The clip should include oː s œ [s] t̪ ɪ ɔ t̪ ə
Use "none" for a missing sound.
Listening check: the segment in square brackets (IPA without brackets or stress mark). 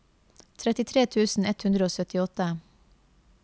none